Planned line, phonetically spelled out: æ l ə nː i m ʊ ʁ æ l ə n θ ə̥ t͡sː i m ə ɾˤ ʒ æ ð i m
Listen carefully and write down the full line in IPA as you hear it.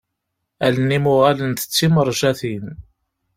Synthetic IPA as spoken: æ l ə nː i m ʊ ʁ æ l ə n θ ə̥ t͡sː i m ə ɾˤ ʒ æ θ i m

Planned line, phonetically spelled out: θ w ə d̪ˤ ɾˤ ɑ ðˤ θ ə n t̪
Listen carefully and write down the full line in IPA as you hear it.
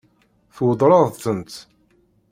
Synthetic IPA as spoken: θ w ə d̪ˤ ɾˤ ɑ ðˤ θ ə n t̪

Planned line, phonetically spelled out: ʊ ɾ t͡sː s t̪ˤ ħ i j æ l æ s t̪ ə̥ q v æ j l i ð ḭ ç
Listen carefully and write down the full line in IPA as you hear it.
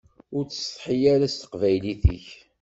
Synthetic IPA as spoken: ʊ ɾ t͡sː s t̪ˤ ħ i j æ ɾ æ s t̪ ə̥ q v æ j l i θ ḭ ç

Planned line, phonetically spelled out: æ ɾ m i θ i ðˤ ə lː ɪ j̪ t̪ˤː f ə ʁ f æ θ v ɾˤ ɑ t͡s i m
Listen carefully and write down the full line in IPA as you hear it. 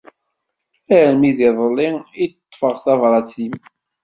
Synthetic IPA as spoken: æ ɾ m i ð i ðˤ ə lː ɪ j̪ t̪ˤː f ə ʁ θ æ v ɾˤ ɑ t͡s i m

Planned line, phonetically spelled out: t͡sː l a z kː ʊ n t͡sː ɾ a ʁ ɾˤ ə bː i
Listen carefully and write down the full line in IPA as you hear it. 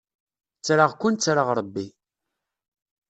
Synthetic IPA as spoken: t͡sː ɾ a ʁ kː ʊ n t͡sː ɾ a ʁ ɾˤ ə bː i

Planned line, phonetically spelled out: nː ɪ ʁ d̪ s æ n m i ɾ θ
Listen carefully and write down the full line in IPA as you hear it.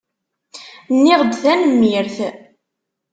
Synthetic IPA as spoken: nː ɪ ʁ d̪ θ æ n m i ɾ θ

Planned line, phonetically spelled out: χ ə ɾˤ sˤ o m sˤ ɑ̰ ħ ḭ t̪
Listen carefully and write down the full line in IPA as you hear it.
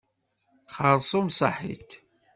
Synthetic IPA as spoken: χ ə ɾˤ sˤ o m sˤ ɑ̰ ħ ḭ t̪

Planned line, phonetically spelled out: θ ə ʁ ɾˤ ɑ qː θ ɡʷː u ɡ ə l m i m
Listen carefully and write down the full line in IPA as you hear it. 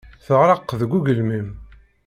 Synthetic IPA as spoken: θ ə ʁ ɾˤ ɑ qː ð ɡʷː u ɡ ə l m i m

